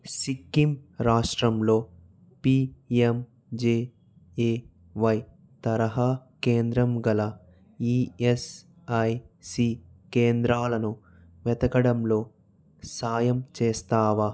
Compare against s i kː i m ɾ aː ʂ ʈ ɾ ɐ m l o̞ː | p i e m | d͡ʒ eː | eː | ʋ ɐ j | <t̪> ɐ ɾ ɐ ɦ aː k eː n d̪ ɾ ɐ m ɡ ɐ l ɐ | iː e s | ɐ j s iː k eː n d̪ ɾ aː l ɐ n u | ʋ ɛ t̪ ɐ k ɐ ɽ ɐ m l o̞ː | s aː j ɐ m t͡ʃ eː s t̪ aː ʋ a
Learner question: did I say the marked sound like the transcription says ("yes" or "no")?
yes